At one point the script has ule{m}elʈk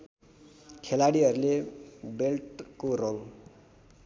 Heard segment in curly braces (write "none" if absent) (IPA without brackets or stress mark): b